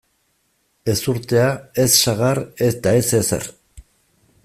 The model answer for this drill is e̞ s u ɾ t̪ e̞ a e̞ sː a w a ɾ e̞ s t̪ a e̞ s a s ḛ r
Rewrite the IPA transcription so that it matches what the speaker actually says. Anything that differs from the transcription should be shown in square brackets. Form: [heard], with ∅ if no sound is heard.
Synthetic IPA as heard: e̞ s u ɾ t̪ e̞ a e̞ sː a [ɣ] a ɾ e̞ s t̪ a e̞ s [e] s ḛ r

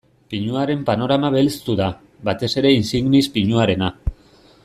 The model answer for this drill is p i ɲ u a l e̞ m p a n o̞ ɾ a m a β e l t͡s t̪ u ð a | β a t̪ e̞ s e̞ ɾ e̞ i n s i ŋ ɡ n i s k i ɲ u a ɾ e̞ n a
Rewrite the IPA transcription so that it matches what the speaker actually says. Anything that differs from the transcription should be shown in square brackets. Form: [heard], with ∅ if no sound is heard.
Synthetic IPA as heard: p i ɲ u a [ɾ] e̞ m p a n o̞ ɾ a m a β e l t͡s t̪ u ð a | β a t̪ e̞ s e̞ ɾ e̞ i n s i ŋ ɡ n i s [p] i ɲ u a ɾ e̞ n a

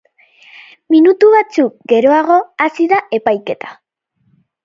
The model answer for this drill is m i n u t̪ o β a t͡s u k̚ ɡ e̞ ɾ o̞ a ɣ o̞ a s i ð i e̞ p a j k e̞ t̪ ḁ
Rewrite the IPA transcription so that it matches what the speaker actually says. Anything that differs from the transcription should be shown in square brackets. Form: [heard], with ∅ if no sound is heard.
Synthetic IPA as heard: m i n u t̪ [u] β a t͡s u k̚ ɡ e̞ ɾ o̞ a ɣ o̞ a s i ð [a] e̞ p a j k e̞ t̪ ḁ

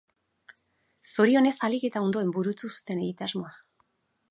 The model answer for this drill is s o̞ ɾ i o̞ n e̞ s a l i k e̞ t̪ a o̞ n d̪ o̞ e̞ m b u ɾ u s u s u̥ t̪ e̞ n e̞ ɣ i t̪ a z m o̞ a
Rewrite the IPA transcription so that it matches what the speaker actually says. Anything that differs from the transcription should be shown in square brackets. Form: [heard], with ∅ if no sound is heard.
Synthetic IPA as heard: s o̞ ɾ i o̞ n e̞ s a l i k e̞ t̪ a o̞ n d̪ o̞ e̞ m b u ɾ u [t͡s] u s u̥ t̪ e̞ n e̞ ɣ i t̪ a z m o̞ a

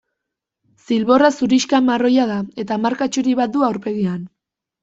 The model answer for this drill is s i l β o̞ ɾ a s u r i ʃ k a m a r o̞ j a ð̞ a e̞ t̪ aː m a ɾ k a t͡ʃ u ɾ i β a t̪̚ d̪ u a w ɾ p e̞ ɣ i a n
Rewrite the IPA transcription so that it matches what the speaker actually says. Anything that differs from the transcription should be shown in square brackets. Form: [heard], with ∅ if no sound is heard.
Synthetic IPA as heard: s i l β o̞ [r] a s u [ɾ] i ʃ k a m a r o̞ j a ð̞ a e̞ t̪ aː m a ɾ k a t͡ʃ u ɾ i β a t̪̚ d̪ u a w ɾ p e̞ ɣ i a n

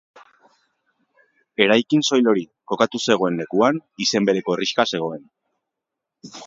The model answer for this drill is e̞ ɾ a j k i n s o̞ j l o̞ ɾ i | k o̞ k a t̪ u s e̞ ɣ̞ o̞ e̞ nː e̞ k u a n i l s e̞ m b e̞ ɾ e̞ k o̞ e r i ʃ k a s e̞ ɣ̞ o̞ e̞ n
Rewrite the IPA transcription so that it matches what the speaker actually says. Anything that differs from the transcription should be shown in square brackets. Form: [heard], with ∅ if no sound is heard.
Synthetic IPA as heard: e̞ ɾ a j k i n s o̞ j l o̞ ɾ i | k o̞ k a t̪ u s e̞ ɣ̞ o̞ e̞ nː e̞ k u a n i [∅] s e̞ m b e̞ ɾ e̞ k o̞ e r i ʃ k a s e̞ ɣ̞ o̞ e̞ n

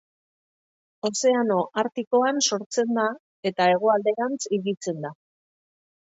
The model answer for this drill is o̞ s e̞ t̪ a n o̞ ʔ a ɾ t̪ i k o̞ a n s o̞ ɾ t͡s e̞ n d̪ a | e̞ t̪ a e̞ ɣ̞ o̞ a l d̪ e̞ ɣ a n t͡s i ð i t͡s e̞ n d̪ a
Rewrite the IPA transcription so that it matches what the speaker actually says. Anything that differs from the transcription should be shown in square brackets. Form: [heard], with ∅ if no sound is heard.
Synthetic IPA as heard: o̞ s e̞ [∅] a n o̞ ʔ a ɾ t̪ i k o̞ a n s o̞ ɾ t͡s e̞ n d̪ a | e̞ t̪ a e̞ ɣ̞ o̞ a l d̪ e̞ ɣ a n t͡s i [ɣ] i t͡s e̞ n d̪ a

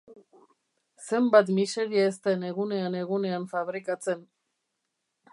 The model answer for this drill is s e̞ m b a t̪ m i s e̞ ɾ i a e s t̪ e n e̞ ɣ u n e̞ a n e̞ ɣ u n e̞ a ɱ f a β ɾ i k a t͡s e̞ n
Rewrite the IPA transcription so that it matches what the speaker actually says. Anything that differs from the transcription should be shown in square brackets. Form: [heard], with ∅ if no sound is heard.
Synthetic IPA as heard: s e̞ m b a t̪ m i s e̞ ɾ i a e s t̪ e n e̞ ɣ u n e̞ a n e̞ ɣ u n e̞ a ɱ f a β ɾ i k a t͡s e̞ n

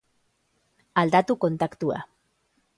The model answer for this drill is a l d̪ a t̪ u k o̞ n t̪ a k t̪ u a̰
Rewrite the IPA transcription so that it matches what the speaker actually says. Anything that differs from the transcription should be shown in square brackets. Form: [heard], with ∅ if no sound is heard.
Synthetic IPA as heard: a l d̪ a t̪ u k o̞ n t̪ a k t̪ u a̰

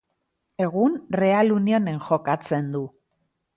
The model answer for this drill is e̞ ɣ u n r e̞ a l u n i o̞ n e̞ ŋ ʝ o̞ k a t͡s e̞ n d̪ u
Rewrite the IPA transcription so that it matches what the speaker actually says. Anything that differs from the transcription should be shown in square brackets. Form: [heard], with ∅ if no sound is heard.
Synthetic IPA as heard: e̞ ɣ u n r e̞ a l u n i o̞ n e̞ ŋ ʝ o̞ k a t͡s e̞ n d̪ u

